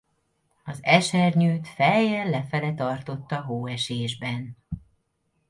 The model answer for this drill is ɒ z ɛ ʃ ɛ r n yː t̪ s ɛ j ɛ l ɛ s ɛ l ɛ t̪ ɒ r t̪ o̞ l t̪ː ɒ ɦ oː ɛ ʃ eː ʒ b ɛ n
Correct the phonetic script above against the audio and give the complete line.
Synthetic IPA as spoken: ɒ z ɛ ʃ ɛ r ɲ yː t̪ f ɛ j ɛ l ɛ f ɛ l ɛ t̪ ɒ r t̪ o̞ t̪ː ɒ ɦ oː ɛ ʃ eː ʒ b ɛ n